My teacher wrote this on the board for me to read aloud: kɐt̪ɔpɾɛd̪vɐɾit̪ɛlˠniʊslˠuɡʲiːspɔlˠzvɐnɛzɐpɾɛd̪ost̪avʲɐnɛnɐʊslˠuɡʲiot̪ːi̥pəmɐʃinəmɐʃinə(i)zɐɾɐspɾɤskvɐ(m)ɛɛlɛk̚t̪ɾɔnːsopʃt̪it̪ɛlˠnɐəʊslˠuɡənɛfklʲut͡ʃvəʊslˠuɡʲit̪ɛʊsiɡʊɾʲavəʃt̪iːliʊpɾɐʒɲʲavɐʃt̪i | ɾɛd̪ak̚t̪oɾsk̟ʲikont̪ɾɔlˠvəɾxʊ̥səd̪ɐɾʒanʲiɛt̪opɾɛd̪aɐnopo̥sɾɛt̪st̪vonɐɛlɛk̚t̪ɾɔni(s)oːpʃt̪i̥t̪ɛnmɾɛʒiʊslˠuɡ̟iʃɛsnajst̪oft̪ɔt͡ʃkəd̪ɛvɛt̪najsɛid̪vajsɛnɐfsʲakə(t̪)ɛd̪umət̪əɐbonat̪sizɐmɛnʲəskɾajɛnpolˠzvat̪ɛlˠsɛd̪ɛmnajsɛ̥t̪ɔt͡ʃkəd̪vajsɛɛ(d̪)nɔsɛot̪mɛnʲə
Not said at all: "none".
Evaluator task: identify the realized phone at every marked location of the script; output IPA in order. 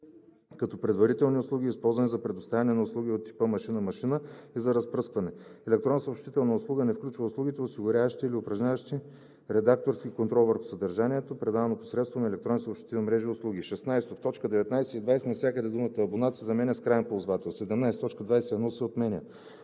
i, n, s, d̪, d̪

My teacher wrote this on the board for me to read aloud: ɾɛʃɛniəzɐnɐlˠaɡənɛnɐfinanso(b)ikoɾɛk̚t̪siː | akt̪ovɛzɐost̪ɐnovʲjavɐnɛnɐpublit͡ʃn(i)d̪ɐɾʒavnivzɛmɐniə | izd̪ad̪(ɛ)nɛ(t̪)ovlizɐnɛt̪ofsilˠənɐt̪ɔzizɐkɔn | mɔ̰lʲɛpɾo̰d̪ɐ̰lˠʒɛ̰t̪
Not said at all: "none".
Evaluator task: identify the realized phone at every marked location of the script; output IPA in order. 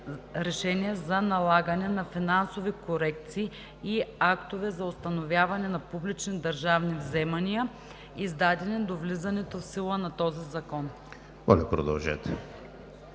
v, i, ɛ, d̪

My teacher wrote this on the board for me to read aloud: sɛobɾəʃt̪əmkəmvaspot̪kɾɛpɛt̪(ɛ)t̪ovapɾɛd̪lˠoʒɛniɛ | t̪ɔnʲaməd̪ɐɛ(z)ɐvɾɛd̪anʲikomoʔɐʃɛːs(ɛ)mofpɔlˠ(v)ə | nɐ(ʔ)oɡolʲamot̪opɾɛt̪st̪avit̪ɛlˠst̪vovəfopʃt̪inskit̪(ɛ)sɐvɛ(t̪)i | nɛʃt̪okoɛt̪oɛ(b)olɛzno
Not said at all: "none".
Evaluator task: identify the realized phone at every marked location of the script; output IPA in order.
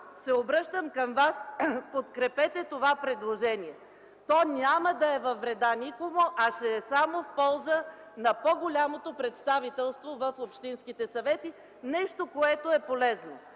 ɛ, v, a, z, p, ɛ, t̪, p

